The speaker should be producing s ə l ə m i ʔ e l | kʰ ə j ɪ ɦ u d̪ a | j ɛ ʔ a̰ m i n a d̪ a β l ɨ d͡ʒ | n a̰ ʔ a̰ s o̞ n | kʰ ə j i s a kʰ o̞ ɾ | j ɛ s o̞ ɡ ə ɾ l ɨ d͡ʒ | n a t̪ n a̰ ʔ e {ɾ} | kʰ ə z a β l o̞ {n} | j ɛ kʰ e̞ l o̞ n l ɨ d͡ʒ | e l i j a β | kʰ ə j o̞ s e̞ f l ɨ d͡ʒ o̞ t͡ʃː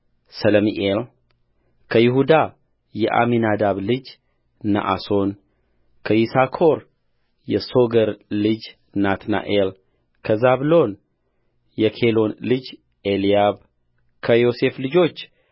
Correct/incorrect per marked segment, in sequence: incorrect, correct

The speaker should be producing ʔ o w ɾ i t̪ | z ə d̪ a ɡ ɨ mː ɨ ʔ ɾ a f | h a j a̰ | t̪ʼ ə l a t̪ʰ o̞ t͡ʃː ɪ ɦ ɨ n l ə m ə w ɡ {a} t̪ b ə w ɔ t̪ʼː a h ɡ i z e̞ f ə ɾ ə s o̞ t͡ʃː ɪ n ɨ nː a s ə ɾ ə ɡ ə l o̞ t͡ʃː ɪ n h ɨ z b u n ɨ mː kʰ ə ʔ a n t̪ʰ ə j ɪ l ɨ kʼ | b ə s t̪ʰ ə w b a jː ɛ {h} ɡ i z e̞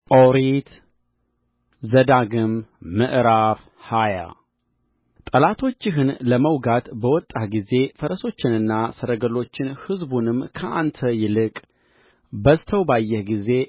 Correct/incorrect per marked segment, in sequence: correct, correct

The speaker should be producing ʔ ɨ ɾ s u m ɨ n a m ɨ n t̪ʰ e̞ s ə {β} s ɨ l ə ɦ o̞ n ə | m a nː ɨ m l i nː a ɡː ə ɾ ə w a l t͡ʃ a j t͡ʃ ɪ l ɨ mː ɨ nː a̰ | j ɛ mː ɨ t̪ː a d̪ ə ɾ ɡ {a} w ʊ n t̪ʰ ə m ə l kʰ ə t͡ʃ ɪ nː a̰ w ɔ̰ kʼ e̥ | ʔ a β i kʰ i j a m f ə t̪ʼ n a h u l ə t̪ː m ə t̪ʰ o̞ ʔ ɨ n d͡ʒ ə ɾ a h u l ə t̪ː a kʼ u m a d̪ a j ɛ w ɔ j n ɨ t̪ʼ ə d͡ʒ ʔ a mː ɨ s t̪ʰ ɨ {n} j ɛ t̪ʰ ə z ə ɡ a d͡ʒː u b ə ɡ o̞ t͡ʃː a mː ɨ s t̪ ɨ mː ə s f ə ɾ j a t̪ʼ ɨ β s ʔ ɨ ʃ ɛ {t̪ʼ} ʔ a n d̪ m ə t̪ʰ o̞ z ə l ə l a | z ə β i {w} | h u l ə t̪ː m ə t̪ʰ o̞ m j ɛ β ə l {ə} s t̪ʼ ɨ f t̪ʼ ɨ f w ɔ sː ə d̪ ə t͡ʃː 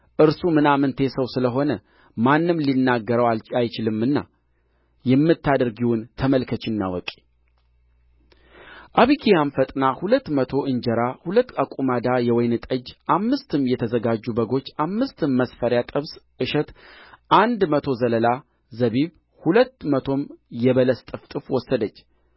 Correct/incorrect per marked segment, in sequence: incorrect, incorrect, incorrect, incorrect, incorrect, correct

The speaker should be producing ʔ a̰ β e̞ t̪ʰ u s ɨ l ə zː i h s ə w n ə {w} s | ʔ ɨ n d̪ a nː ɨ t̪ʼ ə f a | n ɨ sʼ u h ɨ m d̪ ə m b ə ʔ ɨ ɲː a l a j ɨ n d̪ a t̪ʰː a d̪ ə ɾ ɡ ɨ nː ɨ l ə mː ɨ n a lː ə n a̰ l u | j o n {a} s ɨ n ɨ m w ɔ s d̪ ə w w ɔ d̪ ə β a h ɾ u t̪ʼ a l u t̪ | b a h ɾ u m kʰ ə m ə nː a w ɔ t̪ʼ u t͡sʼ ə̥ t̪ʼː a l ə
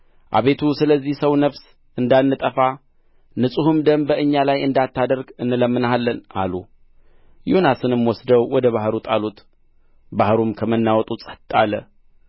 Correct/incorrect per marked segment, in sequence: incorrect, correct

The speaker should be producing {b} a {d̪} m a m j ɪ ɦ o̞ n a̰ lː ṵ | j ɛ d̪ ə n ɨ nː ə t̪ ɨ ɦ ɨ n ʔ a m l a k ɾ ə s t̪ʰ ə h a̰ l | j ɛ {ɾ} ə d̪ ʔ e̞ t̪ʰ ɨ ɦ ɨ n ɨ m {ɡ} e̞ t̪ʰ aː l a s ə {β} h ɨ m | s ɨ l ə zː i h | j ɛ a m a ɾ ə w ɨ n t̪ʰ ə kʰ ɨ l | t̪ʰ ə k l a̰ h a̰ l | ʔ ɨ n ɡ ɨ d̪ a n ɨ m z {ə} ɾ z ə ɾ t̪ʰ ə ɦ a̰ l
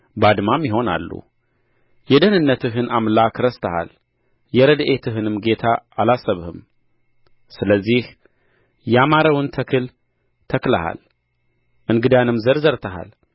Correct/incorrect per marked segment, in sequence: correct, correct, correct, correct, correct, correct

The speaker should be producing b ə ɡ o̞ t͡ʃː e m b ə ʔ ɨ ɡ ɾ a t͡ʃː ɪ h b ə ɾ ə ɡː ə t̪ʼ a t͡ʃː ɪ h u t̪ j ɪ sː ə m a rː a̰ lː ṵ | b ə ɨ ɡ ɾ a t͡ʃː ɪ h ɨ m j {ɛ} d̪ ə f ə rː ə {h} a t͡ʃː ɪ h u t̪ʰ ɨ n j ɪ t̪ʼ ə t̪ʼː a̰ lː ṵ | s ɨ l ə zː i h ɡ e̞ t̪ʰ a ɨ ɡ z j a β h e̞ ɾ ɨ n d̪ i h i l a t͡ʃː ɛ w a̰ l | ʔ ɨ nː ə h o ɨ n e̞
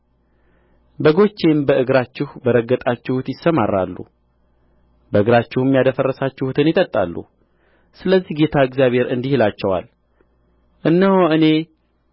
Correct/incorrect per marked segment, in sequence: incorrect, incorrect

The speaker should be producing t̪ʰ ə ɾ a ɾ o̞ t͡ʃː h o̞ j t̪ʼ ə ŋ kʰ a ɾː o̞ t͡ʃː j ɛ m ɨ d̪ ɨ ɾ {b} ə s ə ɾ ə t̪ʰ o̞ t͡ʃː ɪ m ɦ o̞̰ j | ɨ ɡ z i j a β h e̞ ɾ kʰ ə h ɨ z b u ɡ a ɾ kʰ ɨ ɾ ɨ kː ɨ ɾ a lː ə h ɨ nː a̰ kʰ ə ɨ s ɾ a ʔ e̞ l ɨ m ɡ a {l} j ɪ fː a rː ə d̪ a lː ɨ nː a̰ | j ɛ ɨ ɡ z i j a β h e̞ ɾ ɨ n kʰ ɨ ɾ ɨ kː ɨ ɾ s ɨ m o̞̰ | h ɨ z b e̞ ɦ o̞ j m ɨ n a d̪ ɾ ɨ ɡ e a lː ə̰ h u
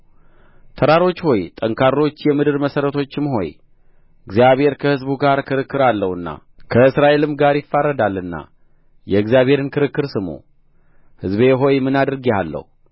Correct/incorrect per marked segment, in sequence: incorrect, incorrect

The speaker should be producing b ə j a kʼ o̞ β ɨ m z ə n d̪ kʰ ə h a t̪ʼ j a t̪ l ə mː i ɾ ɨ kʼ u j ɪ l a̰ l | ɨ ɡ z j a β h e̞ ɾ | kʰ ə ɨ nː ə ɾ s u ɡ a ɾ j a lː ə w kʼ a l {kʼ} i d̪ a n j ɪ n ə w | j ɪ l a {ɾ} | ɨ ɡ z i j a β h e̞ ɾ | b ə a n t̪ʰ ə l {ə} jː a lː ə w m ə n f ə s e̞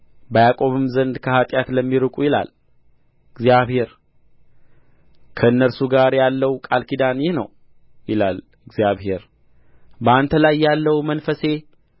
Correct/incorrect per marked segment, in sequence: incorrect, incorrect, incorrect

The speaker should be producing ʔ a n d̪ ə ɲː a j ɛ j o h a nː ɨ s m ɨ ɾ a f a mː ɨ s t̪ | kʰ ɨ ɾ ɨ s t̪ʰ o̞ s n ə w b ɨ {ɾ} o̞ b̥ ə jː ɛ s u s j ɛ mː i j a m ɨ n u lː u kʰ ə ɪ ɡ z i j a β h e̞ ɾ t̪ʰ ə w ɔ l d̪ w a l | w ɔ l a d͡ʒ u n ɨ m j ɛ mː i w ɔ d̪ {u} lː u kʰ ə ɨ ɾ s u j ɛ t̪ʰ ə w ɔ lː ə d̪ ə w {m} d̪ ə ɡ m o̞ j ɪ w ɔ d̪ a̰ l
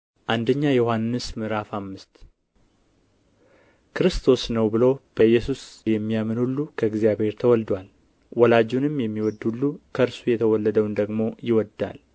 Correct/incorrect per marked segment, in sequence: incorrect, correct, incorrect

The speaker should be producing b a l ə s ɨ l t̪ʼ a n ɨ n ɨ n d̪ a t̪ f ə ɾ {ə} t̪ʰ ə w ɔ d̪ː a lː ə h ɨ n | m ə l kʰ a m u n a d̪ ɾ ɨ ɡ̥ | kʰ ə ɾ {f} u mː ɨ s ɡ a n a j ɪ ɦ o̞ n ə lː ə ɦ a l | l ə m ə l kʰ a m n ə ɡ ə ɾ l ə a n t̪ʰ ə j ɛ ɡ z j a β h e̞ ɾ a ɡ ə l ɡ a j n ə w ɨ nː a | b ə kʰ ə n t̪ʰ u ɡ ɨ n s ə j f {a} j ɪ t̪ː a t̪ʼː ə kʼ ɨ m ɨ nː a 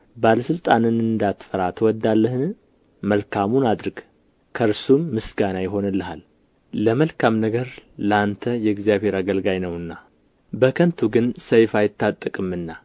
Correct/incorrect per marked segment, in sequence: incorrect, incorrect, correct

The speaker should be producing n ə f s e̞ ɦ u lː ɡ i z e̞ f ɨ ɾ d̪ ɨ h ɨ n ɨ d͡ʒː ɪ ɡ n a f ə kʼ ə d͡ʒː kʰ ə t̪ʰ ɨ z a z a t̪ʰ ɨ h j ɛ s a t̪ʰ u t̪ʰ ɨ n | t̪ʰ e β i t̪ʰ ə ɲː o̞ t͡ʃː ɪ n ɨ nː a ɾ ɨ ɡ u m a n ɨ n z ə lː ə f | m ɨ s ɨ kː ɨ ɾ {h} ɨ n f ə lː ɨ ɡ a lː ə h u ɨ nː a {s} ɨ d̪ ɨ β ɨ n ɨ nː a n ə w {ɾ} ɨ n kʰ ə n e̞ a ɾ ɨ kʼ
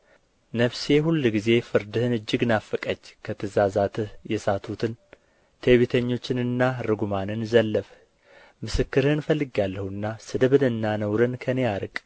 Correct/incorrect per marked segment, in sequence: correct, correct, correct

